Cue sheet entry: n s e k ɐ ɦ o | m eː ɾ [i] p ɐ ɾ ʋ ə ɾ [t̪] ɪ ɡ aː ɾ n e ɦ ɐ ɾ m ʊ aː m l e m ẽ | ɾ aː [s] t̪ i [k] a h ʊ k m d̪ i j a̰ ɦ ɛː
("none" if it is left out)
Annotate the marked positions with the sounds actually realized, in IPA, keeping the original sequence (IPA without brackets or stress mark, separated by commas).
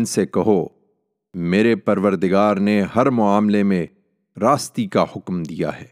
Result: e, d̪, s, k